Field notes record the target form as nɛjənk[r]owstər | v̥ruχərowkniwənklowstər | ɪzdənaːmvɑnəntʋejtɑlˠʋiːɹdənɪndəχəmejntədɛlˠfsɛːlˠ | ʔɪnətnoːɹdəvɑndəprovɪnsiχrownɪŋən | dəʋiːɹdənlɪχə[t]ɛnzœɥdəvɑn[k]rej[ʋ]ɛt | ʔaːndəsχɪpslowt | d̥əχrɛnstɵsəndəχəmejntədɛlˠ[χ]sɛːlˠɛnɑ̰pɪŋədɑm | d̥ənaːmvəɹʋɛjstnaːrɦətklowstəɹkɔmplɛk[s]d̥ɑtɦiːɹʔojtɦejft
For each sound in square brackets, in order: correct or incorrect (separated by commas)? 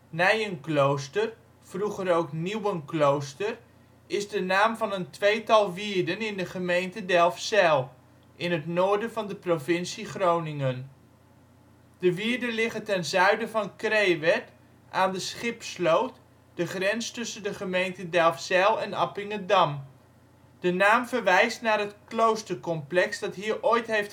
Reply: incorrect, correct, correct, correct, incorrect, correct